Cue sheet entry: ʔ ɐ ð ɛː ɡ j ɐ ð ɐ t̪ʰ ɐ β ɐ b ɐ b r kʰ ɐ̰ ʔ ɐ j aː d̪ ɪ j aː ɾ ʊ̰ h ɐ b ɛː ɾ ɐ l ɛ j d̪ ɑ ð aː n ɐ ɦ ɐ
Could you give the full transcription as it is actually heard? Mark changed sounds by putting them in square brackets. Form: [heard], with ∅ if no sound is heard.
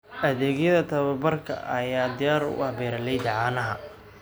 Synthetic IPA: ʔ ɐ ð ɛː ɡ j ɐ ð ɐ t̪ʰ ɐ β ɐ b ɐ [∅] r kʰ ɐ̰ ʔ ɐ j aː d̪ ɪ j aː ɾ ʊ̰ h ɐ b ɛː ɾ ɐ l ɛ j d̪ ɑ [ʕ] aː n ɐ ɦ ɐ